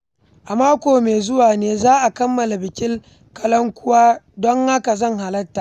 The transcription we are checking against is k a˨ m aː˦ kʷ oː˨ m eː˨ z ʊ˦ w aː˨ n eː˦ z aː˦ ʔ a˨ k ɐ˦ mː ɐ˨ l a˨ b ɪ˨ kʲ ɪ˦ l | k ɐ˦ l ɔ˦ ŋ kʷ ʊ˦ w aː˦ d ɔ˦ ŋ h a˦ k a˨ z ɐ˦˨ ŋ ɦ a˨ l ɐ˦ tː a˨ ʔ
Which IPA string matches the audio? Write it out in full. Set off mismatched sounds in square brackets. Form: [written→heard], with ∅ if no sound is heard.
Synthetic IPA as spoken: [k→ʔ] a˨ m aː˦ kʷ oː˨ m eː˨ z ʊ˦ w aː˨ n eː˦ z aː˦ ʔ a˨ k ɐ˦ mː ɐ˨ l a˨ b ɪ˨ kʲ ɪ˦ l | k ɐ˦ l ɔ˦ ŋ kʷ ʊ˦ w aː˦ d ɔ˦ ŋ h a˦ k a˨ z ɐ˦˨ ŋ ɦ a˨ l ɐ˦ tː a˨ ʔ